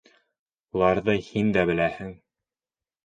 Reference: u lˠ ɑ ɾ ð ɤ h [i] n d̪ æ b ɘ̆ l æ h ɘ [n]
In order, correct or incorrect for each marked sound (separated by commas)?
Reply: correct, incorrect